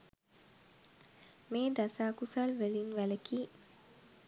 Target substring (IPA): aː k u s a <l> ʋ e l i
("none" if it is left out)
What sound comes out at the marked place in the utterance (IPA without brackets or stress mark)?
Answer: l